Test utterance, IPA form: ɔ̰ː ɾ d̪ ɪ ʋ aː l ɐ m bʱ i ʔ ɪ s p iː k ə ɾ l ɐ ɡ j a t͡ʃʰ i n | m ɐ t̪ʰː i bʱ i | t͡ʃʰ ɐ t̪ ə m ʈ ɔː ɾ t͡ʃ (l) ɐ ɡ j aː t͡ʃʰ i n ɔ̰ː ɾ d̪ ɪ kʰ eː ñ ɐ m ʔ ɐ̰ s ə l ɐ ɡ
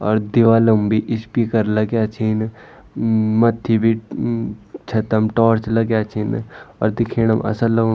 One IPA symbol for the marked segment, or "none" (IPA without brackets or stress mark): l